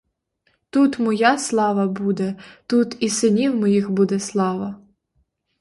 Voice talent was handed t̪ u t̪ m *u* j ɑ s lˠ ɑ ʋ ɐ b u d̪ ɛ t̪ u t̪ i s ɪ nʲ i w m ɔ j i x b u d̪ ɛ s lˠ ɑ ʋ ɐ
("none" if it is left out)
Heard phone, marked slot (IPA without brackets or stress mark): ɔ